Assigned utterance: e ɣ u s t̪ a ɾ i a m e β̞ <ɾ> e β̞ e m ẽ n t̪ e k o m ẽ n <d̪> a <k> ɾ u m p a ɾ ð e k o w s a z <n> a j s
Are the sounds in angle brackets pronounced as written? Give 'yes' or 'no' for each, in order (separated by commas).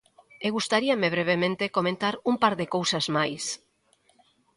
yes, no, no, no